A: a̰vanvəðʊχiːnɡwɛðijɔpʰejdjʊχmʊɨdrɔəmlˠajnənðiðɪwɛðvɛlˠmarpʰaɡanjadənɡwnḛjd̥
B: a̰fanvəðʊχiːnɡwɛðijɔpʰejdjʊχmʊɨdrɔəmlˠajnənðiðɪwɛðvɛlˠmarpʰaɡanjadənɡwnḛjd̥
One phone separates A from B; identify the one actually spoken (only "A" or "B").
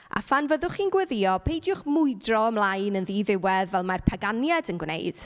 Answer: B